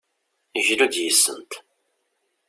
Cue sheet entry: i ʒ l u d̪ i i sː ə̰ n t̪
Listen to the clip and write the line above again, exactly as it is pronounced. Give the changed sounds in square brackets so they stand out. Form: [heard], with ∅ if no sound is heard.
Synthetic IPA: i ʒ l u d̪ [j] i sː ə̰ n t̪